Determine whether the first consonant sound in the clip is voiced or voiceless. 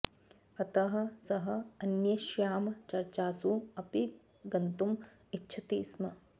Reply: voiceless